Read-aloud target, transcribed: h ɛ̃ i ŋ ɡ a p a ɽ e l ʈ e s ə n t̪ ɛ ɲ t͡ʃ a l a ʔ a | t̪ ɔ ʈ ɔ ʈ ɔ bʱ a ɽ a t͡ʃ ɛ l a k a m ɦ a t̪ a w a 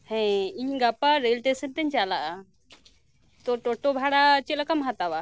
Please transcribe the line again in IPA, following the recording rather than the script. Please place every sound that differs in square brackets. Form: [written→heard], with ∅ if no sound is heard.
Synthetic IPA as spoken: h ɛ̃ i [ŋ→ɲ] ɡ a p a [ɽ→ɾ] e l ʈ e s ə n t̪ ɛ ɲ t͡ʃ a l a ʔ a | t̪ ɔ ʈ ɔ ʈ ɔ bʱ a ɽ a t͡ʃ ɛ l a k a m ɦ a t̪ a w a